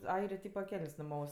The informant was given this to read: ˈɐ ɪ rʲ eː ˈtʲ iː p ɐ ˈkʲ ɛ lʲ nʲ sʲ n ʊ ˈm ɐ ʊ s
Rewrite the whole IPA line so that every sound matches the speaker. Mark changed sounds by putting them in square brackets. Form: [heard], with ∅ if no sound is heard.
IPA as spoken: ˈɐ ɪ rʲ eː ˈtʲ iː p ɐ ˈkʲ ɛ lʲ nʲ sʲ n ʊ ˈm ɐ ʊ s